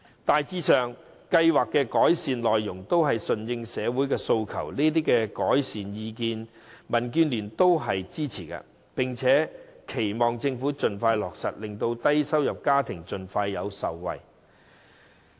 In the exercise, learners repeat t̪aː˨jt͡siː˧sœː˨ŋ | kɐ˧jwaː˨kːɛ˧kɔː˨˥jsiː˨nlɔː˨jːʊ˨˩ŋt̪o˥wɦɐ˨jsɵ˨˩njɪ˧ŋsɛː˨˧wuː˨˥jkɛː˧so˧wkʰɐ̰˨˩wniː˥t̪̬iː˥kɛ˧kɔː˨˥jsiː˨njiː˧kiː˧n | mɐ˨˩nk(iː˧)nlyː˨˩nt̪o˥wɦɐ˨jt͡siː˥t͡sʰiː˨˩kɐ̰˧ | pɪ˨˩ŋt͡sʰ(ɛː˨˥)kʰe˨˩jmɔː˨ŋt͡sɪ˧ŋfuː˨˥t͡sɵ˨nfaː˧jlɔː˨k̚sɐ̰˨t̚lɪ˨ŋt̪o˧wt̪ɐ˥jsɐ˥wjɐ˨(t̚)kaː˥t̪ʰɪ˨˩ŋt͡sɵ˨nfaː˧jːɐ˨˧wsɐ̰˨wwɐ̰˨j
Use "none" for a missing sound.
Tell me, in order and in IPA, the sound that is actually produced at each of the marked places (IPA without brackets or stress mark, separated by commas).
yː˧, ɛː˨˥, p̚